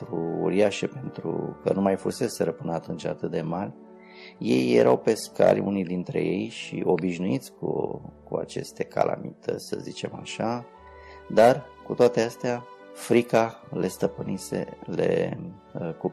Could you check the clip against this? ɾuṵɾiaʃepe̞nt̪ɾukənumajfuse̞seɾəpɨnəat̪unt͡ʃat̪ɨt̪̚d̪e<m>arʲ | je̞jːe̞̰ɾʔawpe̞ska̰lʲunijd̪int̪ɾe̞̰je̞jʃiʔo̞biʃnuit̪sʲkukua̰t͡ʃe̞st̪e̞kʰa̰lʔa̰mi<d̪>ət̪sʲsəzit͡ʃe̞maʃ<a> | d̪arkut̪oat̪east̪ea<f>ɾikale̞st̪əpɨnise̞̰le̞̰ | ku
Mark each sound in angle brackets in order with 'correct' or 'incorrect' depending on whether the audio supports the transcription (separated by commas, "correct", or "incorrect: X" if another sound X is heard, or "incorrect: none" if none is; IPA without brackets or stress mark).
correct, incorrect: t̪, correct, correct